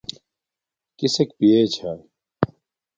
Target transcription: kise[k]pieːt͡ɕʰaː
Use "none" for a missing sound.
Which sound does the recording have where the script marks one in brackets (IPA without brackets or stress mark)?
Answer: k